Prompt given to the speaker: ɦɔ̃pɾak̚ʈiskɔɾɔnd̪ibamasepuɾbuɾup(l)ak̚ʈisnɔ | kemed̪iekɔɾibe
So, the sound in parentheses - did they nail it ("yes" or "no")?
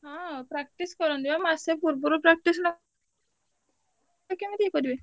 no